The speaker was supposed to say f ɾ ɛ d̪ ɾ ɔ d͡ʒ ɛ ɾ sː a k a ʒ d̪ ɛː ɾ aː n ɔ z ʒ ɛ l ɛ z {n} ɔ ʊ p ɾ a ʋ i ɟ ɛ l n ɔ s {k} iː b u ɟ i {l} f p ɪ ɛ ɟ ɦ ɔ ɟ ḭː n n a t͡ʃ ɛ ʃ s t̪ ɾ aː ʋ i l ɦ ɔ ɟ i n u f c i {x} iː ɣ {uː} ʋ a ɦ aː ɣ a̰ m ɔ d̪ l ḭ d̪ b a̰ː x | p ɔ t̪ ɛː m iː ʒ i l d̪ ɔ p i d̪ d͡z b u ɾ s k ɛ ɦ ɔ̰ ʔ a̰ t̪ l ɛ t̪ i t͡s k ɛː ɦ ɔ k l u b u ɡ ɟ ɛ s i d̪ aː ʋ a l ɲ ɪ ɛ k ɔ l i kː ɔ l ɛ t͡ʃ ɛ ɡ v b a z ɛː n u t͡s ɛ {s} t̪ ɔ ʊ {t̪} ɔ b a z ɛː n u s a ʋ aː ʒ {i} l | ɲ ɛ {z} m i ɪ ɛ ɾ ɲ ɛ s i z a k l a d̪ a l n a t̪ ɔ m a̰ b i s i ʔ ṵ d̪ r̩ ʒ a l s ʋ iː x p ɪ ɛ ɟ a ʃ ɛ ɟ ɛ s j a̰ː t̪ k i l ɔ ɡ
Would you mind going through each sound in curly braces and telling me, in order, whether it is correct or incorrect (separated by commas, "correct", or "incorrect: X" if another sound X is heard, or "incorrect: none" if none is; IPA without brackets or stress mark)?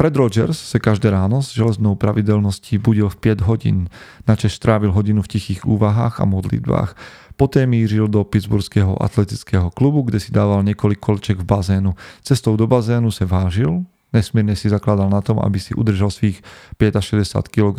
correct, incorrect: c, correct, correct, correct, correct, incorrect: d̪, correct, incorrect: s